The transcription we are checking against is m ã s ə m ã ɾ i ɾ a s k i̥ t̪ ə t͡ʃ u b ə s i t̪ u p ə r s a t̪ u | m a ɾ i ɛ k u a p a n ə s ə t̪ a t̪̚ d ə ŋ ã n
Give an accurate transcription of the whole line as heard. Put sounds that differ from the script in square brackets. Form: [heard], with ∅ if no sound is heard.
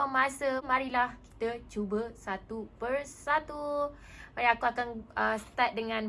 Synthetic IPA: m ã s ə m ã ɾ i [l] a [h] k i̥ t̪ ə t͡ʃ u b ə s [a] t̪ u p ə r s a t̪ u | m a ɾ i [a] k u a [k] a n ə s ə t̪ a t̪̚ d ə ŋ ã n